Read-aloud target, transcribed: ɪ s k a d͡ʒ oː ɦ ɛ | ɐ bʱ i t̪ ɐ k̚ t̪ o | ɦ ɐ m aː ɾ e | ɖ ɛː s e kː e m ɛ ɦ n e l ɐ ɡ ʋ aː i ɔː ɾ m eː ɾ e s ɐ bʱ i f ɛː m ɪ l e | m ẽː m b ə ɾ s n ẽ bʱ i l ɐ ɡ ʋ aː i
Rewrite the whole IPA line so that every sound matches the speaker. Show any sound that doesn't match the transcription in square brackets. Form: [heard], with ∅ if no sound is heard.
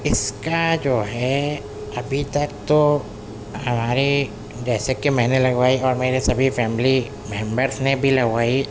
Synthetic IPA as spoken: ɪ s k a d͡ʒ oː ɦ ɛ | ɐ bʱ i t̪ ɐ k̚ t̪ o | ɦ ɐ m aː ɾ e | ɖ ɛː s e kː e m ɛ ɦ n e l ɐ ɡ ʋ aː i ɔː ɾ m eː ɾ e s ɐ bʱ i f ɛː m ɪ l [i] | m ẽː m b ə ɾ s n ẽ bʱ i l ɐ ɡ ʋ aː i